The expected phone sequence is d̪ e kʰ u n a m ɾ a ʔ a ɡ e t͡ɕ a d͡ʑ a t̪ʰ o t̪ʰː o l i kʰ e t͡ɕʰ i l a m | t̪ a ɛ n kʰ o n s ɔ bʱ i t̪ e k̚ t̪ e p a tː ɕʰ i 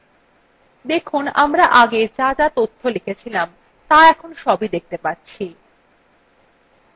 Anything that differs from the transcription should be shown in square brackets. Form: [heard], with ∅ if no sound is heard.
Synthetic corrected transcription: d̪ e kʰ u n a m ɾ a ʔ a ɡ e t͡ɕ a d͡ʑ a [t̪] o t̪ʰː o l i kʰ e t͡ɕʰ i l a m | t̪ a ɛ [∅] kʰ o n [ʃ] ɔ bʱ i [d̪] e k̚ t̪ e p a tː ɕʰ i